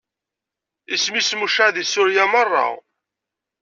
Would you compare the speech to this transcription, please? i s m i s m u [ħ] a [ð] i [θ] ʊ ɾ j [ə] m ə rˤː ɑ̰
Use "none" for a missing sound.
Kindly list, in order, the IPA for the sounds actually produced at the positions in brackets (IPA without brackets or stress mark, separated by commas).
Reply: ʃ, ð, s, a